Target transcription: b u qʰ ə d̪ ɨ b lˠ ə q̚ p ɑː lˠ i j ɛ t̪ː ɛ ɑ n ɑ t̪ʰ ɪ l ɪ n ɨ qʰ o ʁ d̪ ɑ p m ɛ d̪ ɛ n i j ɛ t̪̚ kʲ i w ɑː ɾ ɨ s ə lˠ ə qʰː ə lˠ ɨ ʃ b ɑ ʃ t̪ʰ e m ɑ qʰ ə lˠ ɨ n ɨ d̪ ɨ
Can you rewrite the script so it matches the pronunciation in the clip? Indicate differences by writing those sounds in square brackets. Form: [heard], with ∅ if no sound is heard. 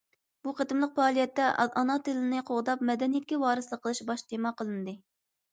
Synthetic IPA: b u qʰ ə [t̪] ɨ [m] lˠ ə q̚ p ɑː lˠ i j ɛ t̪ː ɛ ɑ n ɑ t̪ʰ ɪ l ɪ n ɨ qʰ o ʁ d̪ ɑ p m ɛ d̪ ɛ n i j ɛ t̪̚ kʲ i w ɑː ɾ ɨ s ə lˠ ə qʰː ə lˠ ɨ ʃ b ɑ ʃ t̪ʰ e m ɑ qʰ ə lˠ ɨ n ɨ d̪ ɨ